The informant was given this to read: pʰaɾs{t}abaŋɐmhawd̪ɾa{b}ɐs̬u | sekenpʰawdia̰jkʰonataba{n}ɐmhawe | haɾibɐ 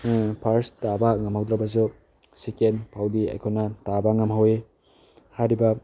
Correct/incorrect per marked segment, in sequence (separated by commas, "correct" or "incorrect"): correct, correct, incorrect